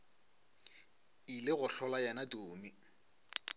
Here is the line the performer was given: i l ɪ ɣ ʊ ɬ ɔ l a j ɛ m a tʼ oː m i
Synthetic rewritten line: i l ɪ ɣ ʊ ɬ ɔ l a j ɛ n a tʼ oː m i